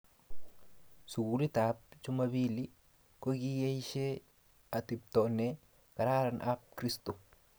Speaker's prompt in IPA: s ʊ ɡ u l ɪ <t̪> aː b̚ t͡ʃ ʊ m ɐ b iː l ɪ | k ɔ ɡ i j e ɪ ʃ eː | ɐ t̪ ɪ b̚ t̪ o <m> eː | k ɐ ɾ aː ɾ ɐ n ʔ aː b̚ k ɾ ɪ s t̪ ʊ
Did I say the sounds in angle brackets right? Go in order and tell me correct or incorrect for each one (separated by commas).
correct, incorrect